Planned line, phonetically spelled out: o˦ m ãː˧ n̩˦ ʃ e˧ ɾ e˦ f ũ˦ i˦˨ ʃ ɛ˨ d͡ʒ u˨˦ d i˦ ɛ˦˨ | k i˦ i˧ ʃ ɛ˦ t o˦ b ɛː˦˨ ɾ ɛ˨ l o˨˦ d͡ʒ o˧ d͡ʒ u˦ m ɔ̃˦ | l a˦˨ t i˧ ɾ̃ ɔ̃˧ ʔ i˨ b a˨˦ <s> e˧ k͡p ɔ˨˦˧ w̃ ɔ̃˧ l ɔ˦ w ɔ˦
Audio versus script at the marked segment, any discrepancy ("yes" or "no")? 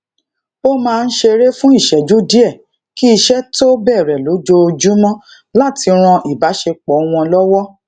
yes